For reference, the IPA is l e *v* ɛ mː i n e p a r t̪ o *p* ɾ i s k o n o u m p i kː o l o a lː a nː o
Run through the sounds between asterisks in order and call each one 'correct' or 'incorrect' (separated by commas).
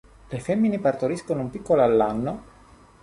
incorrect, incorrect